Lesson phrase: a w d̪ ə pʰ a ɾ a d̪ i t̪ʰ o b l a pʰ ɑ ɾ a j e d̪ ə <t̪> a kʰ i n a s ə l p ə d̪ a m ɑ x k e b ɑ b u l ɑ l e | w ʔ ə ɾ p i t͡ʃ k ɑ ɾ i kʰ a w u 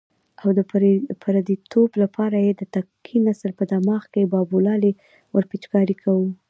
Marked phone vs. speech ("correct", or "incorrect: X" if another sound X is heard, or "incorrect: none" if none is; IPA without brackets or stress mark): correct